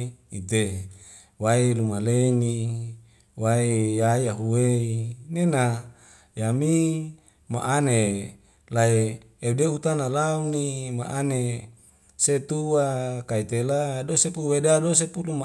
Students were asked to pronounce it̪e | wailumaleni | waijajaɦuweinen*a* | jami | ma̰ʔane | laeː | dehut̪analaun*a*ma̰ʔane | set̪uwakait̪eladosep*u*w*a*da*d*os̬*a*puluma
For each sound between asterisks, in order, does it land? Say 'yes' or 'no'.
yes, no, yes, no, yes, no

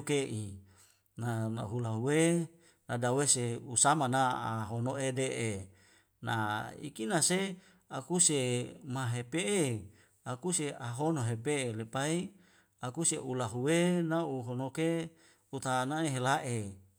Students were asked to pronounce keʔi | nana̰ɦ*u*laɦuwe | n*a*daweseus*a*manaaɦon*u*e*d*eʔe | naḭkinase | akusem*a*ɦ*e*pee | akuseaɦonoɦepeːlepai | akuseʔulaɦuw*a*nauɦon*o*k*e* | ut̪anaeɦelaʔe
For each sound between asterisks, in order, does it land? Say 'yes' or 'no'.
yes, yes, yes, no, yes, yes, yes, no, yes, yes

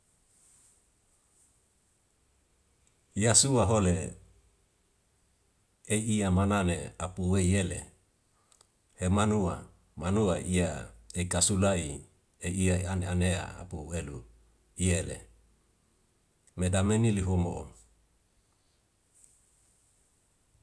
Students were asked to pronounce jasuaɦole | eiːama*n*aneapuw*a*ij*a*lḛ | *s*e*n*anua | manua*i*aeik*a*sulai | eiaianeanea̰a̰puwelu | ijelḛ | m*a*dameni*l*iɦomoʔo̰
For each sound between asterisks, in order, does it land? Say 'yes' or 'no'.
yes, no, no, no, no, yes, yes, no, yes

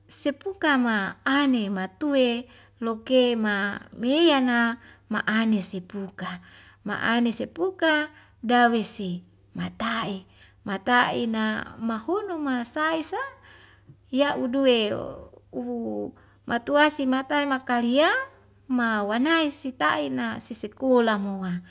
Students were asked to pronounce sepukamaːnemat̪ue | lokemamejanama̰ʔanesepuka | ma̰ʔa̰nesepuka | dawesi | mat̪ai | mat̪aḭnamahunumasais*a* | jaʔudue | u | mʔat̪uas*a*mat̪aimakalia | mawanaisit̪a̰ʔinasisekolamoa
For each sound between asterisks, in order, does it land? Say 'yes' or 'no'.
yes, no

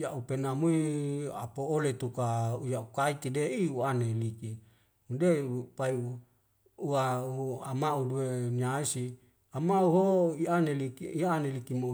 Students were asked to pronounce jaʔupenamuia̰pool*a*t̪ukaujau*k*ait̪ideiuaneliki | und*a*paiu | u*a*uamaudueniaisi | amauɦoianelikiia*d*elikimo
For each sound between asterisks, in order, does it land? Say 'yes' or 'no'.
no, yes, no, yes, no

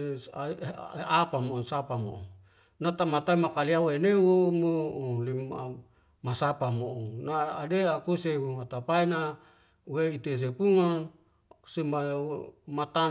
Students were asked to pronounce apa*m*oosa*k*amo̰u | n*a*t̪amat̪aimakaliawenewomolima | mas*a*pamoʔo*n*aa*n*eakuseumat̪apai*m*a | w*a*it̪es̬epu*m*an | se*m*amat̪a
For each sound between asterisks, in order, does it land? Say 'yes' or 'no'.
yes, no, yes, yes, yes, no, no, no, no, yes

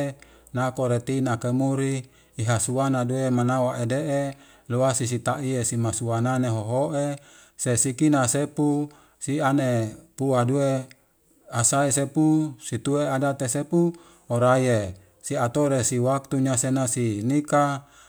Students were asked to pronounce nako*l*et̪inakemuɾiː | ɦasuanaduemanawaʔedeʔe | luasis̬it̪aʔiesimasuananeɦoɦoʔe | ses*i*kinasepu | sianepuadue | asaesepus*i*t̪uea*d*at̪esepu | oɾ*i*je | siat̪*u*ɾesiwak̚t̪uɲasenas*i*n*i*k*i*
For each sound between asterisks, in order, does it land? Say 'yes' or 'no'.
no, yes, yes, yes, no, no, yes, yes, no

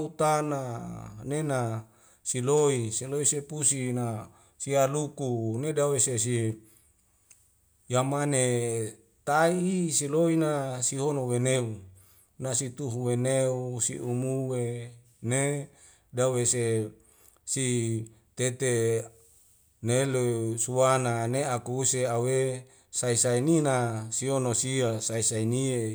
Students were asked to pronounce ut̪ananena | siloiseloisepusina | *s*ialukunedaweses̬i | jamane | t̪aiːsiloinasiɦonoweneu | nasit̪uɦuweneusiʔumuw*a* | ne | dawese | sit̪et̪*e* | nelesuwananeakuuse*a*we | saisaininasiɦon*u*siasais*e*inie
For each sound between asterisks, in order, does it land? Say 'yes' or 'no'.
yes, no, yes, yes, no, no

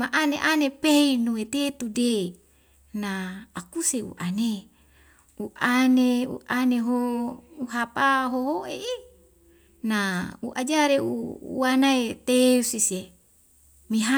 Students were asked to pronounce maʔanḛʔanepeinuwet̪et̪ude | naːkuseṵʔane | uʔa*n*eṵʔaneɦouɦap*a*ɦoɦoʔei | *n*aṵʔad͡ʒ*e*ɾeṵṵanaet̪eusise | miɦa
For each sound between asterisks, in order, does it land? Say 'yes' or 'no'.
yes, yes, yes, no

